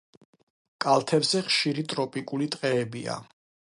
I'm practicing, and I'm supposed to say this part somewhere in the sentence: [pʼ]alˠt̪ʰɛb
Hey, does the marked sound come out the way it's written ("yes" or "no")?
no